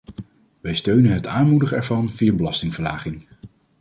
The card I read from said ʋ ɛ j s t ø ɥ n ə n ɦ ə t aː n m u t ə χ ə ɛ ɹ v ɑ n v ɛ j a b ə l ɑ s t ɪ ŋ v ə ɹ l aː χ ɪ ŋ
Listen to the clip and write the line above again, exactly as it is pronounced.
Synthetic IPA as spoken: ʋ ɛ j s t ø ɥ n ə n ɦ ə t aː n m u d ə χ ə ɛ ɹ v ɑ n v i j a b ə l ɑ s t ɪ ŋ v ə ɹ l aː χ ɪ ŋ